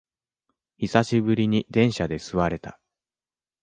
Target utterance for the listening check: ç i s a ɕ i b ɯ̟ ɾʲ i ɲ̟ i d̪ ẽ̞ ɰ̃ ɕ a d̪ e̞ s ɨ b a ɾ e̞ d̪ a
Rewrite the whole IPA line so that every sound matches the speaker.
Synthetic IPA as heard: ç i s a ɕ i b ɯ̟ ɾʲ i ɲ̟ i d̪ ẽ̞ ɰ̃ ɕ a d̪ e̞ s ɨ β a ɾ e̞ t̪ a